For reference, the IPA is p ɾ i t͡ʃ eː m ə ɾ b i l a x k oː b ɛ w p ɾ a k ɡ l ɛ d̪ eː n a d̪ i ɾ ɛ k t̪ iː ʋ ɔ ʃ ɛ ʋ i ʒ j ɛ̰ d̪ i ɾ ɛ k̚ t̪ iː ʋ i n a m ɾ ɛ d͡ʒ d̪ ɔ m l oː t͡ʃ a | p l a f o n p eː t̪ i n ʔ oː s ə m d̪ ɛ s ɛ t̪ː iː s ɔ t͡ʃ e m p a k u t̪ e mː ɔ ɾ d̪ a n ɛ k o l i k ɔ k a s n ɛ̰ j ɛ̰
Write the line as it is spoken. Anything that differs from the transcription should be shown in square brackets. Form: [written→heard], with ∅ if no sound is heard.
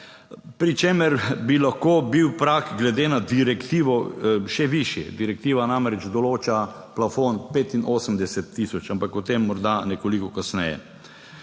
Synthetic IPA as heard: p ɾ i t͡ʃ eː m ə ɾ b i l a x k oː b [ɛ→i] w p ɾ a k ɡ l ɛ d̪ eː n a d̪ i ɾ ɛ k t̪ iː ʋ ɔ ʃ ɛ ʋ i [ʒ→ʃ] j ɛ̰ d̪ i ɾ ɛ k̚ t̪ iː ʋ [i→a] n a m ɾ ɛ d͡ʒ d̪ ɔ [m→∅] l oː t͡ʃ a | p l a f o n p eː t̪ i n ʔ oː s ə m d̪ ɛ s ɛ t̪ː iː s ɔ t͡ʃ [e→a] m p a k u t̪ e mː ɔ ɾ d̪ a n ɛ k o l i k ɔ k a s n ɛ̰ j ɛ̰